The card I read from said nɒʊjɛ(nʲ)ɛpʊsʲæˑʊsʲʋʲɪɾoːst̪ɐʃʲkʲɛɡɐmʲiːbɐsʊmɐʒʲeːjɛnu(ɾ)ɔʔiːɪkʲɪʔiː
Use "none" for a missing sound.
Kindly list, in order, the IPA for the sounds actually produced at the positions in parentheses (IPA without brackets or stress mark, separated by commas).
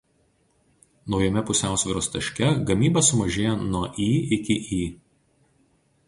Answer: mʲ, none